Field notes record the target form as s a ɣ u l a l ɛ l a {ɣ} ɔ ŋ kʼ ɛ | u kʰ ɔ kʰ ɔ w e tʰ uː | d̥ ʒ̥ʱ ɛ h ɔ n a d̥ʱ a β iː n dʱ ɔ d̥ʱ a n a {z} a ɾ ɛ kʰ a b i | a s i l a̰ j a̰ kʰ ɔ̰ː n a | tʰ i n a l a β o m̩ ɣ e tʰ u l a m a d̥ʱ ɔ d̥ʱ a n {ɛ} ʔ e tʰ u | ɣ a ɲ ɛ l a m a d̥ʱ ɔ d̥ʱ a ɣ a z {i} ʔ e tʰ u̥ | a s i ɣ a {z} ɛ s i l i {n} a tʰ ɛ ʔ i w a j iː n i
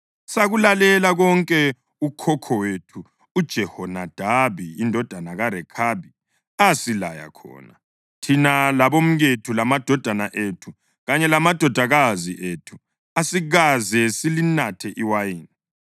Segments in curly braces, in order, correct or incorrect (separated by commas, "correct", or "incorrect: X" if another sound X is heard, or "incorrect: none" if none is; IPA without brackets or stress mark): correct, incorrect: ɣ, incorrect: a, correct, correct, correct